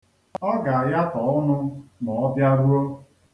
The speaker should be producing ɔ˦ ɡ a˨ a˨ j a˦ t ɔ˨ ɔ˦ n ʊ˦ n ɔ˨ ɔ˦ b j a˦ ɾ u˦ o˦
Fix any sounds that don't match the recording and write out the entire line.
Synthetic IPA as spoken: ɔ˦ ɡ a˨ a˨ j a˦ t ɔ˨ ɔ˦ n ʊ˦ n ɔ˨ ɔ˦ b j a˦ ɾ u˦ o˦